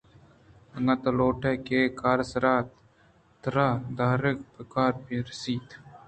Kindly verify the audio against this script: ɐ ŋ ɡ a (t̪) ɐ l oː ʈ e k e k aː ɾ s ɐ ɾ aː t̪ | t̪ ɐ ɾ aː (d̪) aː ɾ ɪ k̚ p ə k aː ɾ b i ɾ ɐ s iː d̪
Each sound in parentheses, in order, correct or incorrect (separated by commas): correct, correct